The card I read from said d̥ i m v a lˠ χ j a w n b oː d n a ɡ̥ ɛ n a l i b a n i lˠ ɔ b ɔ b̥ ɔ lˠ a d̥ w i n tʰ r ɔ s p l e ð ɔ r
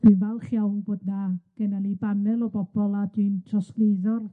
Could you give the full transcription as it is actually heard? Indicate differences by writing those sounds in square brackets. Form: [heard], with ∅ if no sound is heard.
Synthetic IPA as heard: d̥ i [n] v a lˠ χ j a w n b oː d n a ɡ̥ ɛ n a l i b a n [ɛ] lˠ ɔ b ɔ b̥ ɔ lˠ a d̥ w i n tʰ r ɔ s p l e ð ɔ r